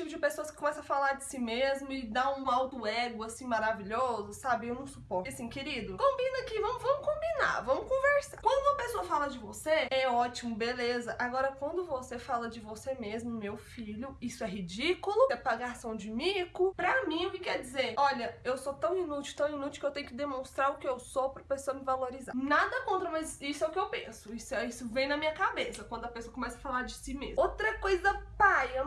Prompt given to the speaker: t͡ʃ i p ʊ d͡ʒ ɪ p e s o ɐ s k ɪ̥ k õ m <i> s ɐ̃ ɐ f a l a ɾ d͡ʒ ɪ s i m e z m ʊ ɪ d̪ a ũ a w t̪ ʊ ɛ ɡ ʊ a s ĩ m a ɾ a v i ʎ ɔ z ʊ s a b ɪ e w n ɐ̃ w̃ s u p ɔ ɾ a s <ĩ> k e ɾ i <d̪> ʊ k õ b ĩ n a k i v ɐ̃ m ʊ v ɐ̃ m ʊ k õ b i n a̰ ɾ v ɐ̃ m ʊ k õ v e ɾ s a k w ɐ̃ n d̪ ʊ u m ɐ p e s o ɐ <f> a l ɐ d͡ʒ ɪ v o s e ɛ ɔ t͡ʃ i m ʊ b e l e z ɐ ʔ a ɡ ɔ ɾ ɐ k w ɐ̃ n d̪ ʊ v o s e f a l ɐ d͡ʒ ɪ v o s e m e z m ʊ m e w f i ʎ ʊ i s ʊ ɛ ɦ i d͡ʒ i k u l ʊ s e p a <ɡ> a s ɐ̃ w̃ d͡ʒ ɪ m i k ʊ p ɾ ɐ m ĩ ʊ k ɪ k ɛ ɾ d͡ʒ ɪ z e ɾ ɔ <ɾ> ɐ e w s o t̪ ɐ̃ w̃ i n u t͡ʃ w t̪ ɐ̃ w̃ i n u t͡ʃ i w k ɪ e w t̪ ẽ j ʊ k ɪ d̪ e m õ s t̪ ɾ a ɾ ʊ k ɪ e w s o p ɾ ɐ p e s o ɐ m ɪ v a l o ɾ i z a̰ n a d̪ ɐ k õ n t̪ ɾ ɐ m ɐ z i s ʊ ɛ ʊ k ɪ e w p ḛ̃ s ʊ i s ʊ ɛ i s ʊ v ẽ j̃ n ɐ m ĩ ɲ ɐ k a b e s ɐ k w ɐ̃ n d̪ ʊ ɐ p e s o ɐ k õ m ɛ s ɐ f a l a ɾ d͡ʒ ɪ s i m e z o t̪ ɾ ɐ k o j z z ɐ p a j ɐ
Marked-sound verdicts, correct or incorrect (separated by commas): incorrect, correct, correct, correct, correct, incorrect